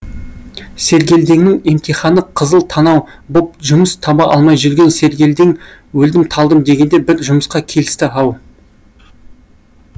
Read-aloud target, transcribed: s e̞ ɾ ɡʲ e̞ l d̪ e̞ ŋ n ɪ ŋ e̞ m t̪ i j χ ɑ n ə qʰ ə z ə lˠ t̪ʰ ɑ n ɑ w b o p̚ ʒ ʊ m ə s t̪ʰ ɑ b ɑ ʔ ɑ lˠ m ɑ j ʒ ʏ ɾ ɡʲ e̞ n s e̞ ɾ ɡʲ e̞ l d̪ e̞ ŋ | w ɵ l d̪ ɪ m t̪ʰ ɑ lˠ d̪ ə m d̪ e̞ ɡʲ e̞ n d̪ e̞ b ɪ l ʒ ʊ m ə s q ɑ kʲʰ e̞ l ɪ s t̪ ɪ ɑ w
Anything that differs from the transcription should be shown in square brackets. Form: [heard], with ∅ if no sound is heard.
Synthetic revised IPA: s e̞ ɾ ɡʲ e̞ l d̪ e̞ ŋ n ɪ ŋ e̞ m t̪ i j χ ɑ n ə qʰ ə z ə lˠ t̪ʰ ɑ n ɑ w b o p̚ ʒ ʊ m ə s t̪ʰ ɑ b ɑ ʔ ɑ lˠ m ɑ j ʒ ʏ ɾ ɡʲ e̞ n s e̞ ɾ ɡʲ e̞ l d̪ e̞ ŋ | w ɵ l d̪ ɪ m t̪ʰ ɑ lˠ d̪ ə m d̪ e̞ ɡʲ e̞ n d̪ e̞ b ɪ [ɾ] ʒ ʊ m ə s q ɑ kʲʰ e̞ l ɪ s t̪ ɪ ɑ w